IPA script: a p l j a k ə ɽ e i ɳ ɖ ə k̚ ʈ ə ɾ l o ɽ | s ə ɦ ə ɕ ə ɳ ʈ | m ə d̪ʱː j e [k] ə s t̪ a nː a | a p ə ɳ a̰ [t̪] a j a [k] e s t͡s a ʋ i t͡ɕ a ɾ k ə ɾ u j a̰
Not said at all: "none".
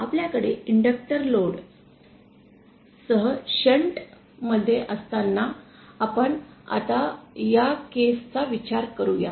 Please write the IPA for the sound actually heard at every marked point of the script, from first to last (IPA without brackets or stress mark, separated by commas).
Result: ʔ, t̪, k